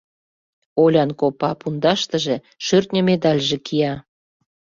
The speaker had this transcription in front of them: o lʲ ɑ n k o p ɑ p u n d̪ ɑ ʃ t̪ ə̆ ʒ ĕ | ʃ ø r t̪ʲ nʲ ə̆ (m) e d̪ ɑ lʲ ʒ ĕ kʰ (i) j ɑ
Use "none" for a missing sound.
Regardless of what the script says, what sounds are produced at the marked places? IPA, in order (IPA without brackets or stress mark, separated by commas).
m, i